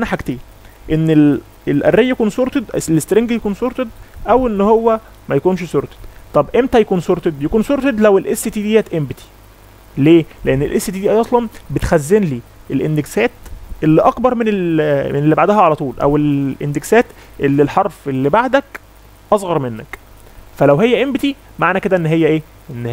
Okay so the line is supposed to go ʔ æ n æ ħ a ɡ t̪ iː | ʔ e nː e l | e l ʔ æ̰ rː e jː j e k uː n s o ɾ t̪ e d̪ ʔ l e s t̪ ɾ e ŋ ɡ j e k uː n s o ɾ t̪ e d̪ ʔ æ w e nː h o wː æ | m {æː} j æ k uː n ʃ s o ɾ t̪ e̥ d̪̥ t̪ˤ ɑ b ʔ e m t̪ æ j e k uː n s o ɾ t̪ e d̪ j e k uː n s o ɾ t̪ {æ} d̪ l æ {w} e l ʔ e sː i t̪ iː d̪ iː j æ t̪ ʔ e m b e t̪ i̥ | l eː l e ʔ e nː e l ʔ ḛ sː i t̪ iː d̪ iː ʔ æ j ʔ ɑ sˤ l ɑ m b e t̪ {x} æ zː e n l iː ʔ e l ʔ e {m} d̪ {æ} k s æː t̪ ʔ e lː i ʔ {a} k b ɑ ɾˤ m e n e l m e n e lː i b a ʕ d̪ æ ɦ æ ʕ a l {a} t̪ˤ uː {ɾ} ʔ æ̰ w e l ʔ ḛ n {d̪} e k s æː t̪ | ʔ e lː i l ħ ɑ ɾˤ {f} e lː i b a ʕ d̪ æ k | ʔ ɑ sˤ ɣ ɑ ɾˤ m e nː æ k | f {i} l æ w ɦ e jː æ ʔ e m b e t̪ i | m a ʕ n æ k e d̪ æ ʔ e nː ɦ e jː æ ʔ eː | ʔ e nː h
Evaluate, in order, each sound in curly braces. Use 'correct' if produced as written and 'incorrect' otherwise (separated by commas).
incorrect, incorrect, correct, correct, incorrect, incorrect, incorrect, incorrect, incorrect, correct, correct, incorrect